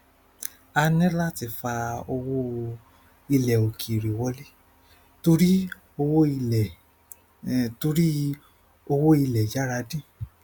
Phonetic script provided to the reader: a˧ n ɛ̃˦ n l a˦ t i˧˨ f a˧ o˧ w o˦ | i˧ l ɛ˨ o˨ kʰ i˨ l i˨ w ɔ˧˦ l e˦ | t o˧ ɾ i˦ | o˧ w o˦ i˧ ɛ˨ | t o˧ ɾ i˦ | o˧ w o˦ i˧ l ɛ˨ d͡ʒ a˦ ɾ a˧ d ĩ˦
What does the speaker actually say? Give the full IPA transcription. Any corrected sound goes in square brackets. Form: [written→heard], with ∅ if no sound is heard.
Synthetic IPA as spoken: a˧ n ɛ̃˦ [n→∅] l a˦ t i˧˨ f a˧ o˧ w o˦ | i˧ l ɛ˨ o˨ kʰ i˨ [l→ɾ] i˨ w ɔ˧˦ l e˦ | t o˧ ɾ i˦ | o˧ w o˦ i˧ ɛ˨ | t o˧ ɾ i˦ | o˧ w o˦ i˧ l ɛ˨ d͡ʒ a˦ ɾ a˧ d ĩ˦